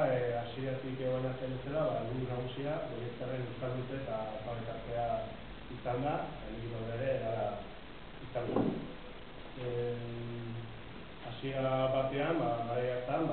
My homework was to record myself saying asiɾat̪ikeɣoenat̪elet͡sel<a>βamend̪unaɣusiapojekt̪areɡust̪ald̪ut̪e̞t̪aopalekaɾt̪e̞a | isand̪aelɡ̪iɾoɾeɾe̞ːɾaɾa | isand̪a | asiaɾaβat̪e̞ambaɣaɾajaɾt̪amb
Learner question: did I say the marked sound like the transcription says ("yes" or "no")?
yes